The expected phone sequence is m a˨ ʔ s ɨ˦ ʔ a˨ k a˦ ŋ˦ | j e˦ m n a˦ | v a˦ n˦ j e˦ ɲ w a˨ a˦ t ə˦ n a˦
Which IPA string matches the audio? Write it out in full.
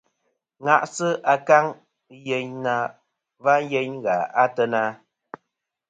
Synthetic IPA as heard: ŋ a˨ ʔ s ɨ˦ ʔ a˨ k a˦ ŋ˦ | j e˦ ɲ n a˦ | v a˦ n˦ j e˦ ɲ ɣ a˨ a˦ t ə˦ n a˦